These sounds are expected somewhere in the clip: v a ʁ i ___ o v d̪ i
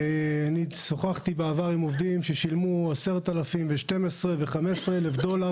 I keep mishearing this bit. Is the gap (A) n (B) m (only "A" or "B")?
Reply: B